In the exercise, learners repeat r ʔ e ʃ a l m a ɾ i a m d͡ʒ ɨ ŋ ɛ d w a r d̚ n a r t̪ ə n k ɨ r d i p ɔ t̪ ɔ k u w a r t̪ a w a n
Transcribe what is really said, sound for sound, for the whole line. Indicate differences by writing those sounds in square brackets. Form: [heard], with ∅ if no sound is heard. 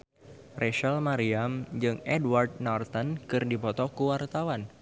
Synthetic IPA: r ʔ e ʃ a l m a ɾ i a m d͡ʒ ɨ ŋ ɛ d w a r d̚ n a r t̪ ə n k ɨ r d i p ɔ t̪ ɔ k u w a r t̪ a w a n